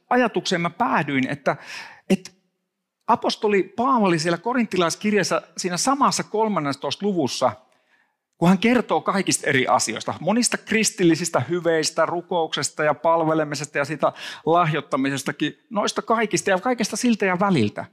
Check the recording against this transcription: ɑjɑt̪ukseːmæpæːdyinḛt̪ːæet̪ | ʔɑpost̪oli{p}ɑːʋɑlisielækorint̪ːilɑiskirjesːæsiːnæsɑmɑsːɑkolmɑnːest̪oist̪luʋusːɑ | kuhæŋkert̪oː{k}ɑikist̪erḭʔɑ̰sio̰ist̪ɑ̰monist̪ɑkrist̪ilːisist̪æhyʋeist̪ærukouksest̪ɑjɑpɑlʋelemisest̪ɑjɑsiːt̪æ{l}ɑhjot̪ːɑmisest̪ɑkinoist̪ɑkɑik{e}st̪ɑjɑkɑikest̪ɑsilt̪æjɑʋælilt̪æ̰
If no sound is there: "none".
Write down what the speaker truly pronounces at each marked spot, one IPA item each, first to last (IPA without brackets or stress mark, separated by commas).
p, k, l, i